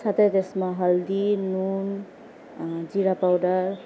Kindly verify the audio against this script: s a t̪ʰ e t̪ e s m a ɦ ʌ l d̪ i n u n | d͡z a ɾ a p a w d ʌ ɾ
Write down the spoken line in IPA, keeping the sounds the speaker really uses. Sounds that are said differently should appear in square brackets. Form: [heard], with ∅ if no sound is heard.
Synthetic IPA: s a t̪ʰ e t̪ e s m a ɦ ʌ l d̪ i n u n | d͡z [i] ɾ a p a w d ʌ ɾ